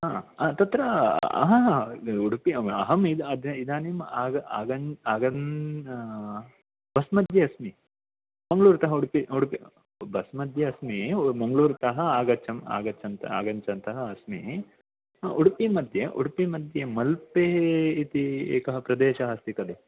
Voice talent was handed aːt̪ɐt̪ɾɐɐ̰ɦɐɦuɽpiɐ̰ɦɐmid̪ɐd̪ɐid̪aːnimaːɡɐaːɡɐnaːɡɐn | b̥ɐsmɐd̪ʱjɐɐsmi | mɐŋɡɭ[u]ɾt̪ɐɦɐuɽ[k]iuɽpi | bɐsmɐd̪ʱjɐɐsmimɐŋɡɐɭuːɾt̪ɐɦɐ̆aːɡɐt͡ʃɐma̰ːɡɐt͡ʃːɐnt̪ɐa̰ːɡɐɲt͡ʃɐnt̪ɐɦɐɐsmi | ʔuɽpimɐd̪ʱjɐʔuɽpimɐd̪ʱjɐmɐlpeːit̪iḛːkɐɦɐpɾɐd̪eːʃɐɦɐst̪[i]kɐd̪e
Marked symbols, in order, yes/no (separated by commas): no, no, yes